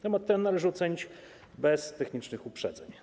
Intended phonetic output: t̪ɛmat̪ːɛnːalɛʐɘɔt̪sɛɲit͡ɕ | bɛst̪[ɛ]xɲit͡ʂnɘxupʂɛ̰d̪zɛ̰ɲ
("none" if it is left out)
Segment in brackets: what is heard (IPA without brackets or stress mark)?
ɛ